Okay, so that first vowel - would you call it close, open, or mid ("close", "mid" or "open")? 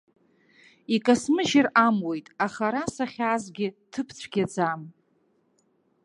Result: close